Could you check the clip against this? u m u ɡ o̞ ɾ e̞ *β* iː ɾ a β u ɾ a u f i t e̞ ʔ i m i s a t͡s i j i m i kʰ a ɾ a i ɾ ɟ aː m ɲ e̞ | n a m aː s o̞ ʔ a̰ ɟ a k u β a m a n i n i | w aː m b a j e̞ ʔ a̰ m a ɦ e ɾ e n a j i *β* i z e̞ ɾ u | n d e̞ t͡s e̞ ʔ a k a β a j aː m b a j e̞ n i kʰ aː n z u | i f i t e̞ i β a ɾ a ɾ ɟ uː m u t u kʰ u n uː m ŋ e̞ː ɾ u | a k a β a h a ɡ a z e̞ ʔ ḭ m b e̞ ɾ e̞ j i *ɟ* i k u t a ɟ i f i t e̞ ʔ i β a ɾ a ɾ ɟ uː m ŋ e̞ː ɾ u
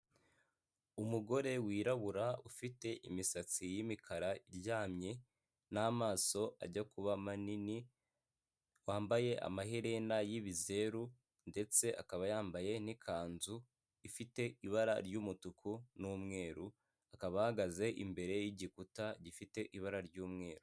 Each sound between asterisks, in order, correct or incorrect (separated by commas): incorrect, correct, correct